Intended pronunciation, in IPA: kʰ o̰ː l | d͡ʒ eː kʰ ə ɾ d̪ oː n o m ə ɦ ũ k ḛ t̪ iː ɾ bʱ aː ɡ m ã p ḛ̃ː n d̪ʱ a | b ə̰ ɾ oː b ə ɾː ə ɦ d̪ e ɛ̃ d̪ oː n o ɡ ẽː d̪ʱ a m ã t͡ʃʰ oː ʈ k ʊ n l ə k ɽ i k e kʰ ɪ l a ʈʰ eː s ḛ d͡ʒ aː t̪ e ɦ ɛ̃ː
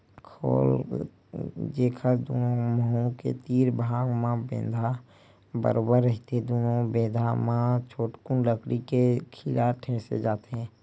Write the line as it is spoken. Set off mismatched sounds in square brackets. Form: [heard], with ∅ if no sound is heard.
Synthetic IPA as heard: kʰ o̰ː l | d͡ʒ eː kʰ ə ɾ d̪ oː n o m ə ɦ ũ k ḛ t̪ iː ɾ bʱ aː ɡ m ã [b] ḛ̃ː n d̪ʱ a | b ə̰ ɾ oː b ə ɾː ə ɦ [t̪] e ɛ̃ d̪ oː n o [b] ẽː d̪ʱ a m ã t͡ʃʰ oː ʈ k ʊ n l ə k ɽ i k e kʰ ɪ l a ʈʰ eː s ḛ d͡ʒ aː t̪ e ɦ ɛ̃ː